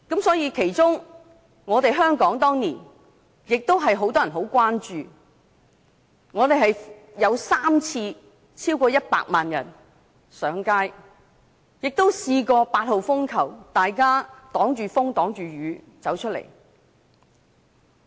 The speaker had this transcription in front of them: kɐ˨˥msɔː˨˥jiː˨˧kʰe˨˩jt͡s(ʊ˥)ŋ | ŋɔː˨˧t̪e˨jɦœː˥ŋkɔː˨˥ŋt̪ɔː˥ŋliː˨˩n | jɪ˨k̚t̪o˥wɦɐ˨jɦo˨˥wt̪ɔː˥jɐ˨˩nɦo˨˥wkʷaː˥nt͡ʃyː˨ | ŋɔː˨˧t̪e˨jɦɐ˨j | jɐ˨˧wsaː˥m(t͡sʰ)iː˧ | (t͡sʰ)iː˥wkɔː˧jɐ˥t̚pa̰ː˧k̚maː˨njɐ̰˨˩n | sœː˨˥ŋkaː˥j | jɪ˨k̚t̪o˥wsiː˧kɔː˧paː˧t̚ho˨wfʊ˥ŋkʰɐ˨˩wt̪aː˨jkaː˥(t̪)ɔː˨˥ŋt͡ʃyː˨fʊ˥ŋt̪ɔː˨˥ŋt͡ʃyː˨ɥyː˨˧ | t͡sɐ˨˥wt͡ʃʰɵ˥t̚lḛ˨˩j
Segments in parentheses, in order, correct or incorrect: correct, correct, correct, correct

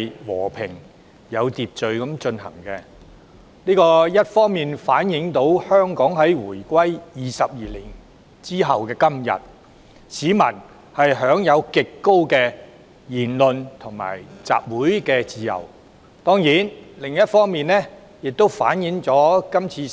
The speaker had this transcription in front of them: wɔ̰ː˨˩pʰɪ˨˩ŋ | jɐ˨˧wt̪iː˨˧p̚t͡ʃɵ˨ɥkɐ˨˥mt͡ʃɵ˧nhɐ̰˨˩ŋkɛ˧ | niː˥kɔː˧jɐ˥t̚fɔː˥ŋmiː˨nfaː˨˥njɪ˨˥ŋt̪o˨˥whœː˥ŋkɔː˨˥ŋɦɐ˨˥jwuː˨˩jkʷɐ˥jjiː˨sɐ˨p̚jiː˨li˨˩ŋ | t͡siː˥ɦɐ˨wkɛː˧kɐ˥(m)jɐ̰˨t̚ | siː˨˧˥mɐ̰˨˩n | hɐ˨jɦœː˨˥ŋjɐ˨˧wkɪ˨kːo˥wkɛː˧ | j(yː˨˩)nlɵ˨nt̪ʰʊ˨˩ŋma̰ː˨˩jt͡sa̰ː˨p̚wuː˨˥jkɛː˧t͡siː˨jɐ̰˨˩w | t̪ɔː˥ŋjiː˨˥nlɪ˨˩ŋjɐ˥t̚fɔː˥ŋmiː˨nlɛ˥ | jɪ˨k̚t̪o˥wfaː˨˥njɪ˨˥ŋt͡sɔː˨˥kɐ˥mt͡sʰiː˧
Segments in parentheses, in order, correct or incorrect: correct, incorrect: iː˨˩

